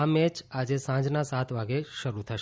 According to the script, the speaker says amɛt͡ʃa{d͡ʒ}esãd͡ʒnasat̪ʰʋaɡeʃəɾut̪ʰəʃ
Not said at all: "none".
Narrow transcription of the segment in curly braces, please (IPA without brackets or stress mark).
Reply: d͡ʒ